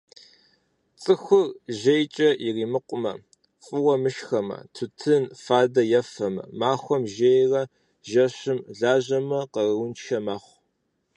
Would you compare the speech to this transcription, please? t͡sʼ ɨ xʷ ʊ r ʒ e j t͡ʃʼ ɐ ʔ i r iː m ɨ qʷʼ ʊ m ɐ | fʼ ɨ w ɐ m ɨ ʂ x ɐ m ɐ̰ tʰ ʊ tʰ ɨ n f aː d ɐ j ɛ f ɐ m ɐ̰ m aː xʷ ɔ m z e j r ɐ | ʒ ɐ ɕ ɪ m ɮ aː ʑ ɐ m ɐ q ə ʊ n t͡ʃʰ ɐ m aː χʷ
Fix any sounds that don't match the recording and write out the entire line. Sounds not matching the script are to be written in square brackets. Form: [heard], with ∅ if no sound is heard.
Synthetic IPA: t͡sʼ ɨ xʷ ʊ r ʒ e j t͡ʃʼ ɐ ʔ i r iː m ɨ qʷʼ ʊ m ɐ | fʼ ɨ w ɐ m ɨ [ʃ] x ɐ m ɐ̰ tʰ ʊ tʰ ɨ n f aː d ɐ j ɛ f ɐ m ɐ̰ m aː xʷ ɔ m [ʒ] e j r ɐ | ʒ ɐ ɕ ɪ m ɮ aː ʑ ɐ m ɐ q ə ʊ n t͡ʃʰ ɐ m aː χʷ

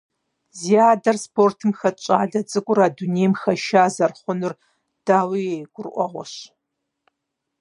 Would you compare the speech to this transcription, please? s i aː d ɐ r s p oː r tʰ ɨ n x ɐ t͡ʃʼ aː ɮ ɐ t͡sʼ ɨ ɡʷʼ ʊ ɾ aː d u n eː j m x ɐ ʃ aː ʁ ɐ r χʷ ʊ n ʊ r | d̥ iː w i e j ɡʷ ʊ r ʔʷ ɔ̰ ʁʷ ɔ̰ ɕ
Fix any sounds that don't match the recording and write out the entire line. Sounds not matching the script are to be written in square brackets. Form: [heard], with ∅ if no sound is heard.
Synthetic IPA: [z] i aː d ɐ r s p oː r tʰ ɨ [m] x ɐ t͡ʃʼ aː ɮ ɐ t͡sʼ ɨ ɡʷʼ ʊ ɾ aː d u n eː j m x ɐ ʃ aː [z] ɐ r χʷ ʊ n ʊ r | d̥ [aː] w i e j ɡʷ ʊ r ʔʷ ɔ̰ ʁʷ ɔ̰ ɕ

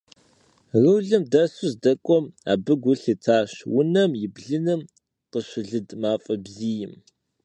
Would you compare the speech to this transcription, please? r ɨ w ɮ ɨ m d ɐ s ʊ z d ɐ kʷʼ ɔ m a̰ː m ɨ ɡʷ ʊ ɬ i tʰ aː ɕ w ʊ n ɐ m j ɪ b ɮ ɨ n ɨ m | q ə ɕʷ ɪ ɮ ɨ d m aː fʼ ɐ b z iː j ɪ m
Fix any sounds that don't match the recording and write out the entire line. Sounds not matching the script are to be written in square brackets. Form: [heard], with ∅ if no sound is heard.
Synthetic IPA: r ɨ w ɮ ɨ m d ɐ s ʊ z d ɐ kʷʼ ɔ m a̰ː [b] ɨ ɡʷ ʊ ɬ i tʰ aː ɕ w ʊ n ɐ m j ɪ b ɮ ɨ n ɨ m | q ə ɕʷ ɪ ɮ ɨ d m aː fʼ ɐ b z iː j ɪ m

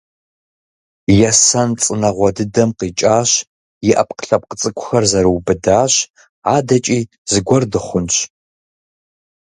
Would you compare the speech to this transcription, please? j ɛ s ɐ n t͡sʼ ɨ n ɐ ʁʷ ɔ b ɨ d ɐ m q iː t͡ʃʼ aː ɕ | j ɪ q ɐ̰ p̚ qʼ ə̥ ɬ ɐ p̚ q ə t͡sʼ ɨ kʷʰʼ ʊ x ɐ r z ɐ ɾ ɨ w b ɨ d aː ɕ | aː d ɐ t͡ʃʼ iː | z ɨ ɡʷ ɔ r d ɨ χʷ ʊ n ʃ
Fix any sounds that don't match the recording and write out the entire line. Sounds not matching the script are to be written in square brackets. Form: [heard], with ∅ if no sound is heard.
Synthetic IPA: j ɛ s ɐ n t͡sʼ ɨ n ɐ ʁʷ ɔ [d] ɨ d ɐ m q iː t͡ʃʼ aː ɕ | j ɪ [ʔ] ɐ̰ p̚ [q] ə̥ ɬ ɐ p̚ q ə t͡sʼ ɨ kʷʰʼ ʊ x ɐ r z ɐ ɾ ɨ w b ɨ d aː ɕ | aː d ɐ t͡ʃʼ iː | z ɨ ɡʷ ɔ r d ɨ χʷ ʊ n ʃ

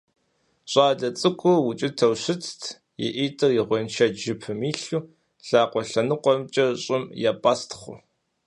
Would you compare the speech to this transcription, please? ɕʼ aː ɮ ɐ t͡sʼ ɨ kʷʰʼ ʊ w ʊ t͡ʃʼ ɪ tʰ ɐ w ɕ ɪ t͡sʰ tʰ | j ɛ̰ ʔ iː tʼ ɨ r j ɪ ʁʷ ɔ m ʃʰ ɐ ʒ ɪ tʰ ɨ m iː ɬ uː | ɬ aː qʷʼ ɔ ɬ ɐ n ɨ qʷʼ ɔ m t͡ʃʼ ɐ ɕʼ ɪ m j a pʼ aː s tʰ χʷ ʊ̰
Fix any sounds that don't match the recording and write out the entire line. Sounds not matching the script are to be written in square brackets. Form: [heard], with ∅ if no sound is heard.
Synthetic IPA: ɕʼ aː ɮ ɐ t͡sʼ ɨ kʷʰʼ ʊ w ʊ t͡ʃʼ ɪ tʰ ɐ w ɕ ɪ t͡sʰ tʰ | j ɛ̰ ʔ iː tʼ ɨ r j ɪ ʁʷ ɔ [n] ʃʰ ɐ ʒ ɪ [pʰ] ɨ m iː ɬ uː | ɬ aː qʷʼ ɔ ɬ ɐ n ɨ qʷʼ ɔ m t͡ʃʼ ɐ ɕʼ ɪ m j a pʼ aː s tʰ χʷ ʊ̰

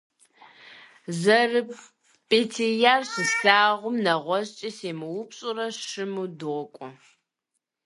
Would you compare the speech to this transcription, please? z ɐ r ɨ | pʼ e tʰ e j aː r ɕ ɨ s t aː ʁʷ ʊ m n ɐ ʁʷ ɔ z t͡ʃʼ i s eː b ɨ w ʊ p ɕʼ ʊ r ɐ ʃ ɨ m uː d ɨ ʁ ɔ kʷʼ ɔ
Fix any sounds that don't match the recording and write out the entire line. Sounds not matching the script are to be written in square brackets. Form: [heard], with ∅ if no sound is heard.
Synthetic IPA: z ɐ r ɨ | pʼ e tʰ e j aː r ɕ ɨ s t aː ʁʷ ʊ m n ɐ ʁʷ ɔ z t͡ʃʼ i s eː [m] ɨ w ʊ p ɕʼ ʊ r ɐ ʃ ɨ m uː d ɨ ʁ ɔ kʷʼ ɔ

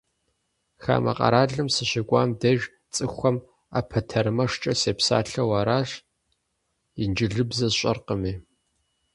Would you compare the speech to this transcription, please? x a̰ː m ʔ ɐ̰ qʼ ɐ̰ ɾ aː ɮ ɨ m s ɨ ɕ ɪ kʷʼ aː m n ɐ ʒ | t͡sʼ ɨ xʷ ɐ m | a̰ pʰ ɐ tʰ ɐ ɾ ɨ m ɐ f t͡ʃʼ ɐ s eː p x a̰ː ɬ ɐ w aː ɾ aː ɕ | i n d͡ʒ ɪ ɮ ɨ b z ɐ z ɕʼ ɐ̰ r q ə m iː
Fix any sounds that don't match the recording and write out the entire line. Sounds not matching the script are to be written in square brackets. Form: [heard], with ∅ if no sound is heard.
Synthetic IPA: x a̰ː m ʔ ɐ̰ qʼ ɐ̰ ɾ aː ɮ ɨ m s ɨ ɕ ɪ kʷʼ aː m [d] ɐ ʒ | t͡sʼ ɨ xʷ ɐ m | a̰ pʰ ɐ tʰ ɐ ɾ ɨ m ɐ [ʂ] t͡ʃʼ ɐ s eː p [s] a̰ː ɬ ɐ w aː ɾ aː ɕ | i n d͡ʒ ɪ ɮ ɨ b z ɐ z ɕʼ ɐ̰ r q ə m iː

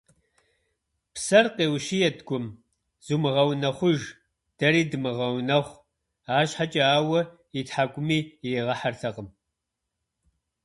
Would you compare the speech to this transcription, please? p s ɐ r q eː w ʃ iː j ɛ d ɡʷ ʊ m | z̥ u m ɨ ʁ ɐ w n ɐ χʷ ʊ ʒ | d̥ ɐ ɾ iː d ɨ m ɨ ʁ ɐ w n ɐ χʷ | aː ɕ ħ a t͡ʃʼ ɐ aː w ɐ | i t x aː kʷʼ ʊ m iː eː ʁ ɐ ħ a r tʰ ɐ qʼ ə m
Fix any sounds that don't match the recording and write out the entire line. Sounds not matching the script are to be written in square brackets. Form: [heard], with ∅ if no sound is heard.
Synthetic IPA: p s ɐ r q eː w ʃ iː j ɛ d ɡʷ ʊ m | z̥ u m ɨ ʁ ɐ w n ɐ χʷ ʊ ʒ | d̥ ɐ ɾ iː d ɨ m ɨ ʁ ɐ w n ɐ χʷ | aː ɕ ħ a t͡ʃʼ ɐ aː w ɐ | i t [ħ] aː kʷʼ ʊ m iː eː ʁ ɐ ħ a r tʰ ɐ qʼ ə m

